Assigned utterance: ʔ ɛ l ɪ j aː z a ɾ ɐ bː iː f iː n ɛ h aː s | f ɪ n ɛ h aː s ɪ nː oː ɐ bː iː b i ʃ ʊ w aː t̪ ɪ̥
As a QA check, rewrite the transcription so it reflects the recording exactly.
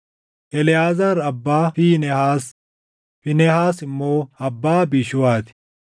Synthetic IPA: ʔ ɛ l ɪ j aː z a ɾ ɐ bː aː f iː n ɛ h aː s | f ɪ n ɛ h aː s ɪ mː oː ɐ bː aː b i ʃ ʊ w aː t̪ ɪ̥